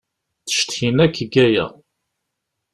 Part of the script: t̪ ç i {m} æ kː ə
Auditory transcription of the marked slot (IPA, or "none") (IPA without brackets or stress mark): n